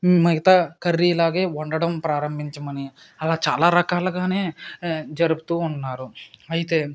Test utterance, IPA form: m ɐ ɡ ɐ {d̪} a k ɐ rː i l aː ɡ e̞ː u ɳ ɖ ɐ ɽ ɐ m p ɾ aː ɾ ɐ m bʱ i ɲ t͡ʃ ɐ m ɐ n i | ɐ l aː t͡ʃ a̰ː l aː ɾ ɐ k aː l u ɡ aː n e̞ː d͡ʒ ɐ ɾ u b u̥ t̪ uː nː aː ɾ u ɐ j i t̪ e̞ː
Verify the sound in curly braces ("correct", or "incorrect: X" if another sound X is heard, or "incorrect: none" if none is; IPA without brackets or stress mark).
incorrect: t̪